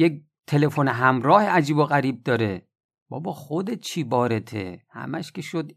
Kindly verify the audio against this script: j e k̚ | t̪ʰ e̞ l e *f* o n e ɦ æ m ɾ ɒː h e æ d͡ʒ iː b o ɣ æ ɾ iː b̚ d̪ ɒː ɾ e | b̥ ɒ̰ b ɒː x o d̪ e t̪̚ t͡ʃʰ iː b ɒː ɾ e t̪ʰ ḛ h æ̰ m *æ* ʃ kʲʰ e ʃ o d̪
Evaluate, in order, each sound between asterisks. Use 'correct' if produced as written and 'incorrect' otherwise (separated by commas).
correct, correct